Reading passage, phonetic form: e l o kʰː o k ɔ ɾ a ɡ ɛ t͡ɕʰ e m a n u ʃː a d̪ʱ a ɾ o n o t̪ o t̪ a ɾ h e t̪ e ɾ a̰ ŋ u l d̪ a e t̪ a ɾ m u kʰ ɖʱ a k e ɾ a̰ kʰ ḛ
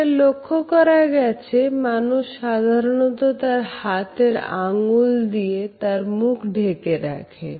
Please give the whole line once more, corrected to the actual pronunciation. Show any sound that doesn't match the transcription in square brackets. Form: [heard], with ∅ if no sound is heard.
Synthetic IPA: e l o kʰː o k ɔ ɾ a ɡ ɛ t͡ɕʰ e m a n u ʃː a d̪ʱ a ɾ o n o t̪ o t̪ a ɾ h [a] t̪ e ɾ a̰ ŋ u l d̪ [i] e t̪ a ɾ m u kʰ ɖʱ [e] k e ɾ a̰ kʰ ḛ